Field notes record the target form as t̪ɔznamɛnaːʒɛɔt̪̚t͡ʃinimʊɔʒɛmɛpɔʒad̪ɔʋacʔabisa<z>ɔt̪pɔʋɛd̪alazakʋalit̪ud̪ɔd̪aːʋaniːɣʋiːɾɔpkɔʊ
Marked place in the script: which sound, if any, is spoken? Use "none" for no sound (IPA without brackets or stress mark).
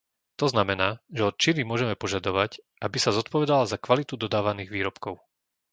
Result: z